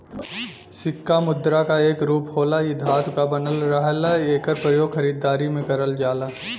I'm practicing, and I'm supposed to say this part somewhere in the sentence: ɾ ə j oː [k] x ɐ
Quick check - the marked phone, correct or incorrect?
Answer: incorrect